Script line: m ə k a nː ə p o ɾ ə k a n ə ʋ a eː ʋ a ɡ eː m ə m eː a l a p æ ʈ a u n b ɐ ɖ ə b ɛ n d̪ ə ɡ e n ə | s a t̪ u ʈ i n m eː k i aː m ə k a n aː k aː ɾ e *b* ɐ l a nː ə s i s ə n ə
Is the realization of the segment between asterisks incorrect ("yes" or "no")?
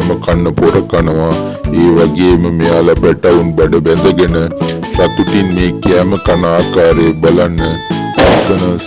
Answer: no